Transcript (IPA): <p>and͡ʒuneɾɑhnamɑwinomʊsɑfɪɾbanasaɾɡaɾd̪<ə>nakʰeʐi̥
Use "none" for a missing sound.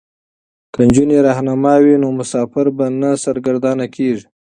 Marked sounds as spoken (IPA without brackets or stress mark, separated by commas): k, ɑ